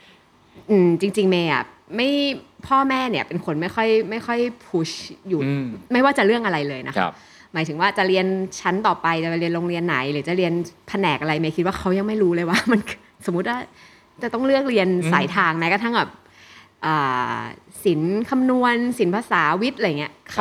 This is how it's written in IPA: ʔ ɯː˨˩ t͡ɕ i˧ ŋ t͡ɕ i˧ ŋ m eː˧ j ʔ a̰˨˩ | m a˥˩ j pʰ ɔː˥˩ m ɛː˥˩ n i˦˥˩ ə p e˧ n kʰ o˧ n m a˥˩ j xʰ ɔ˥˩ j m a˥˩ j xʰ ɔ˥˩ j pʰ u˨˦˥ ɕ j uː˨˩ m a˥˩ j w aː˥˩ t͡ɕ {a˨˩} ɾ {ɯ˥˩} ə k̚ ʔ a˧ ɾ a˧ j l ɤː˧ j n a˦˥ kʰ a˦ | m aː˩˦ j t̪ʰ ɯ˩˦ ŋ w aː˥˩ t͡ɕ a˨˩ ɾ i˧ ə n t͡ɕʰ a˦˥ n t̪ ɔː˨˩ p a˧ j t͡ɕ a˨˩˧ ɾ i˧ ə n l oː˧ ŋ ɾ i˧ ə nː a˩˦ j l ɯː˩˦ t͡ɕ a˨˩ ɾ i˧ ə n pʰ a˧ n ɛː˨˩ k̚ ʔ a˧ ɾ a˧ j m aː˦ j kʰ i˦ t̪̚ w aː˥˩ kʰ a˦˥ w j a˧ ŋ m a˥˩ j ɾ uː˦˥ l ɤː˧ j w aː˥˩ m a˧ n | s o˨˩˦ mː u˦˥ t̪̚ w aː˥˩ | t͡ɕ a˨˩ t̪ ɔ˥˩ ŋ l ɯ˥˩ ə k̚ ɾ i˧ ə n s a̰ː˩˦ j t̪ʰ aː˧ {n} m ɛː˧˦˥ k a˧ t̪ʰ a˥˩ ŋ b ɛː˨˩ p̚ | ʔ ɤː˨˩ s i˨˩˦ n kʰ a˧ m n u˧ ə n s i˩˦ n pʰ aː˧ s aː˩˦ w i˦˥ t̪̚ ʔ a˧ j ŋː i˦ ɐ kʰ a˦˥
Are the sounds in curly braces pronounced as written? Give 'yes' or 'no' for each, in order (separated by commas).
yes, yes, no